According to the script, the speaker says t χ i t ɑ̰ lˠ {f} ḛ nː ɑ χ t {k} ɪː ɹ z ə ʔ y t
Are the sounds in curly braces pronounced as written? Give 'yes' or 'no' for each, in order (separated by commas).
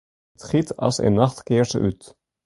no, yes